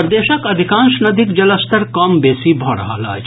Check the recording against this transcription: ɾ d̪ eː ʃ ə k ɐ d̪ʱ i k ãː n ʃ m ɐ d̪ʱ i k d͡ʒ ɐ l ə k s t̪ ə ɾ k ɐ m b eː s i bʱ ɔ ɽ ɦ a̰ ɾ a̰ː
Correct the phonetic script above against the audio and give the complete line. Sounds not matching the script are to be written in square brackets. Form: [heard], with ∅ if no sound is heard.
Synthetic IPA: ɾ d̪ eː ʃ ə k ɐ d̪ʱ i k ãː n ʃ [n] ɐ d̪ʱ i k d͡ʒ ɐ l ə [∅] s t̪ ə ɾ k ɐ m b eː s i bʱ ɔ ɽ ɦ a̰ [l] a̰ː